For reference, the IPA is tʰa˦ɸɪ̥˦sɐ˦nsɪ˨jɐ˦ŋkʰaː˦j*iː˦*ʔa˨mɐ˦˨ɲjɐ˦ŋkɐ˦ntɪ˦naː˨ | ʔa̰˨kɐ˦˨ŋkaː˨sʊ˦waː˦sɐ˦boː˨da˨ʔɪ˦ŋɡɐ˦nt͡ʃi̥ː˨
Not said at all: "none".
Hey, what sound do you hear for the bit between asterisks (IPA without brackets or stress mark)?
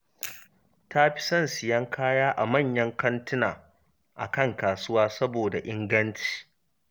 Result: aː˦